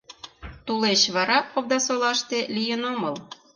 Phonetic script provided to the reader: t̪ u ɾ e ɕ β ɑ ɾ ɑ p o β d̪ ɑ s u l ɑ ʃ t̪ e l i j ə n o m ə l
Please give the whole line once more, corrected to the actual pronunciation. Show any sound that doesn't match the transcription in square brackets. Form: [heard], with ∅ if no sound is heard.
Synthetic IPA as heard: t̪ u [l] e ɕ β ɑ ɾ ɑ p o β d̪ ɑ s [o] l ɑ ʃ t̪ e l i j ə n o m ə l